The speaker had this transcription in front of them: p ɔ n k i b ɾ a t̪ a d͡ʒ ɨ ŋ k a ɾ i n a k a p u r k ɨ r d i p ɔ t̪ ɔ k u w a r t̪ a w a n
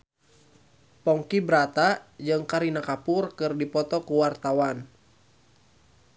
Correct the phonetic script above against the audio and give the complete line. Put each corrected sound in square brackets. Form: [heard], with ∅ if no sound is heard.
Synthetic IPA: p ɔ [ŋ] k i b ɾ a t̪ a d͡ʒ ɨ ŋ k a ɾ i n a k a p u r k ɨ r d i p ɔ t̪ ɔ k u w a r t̪ a w a n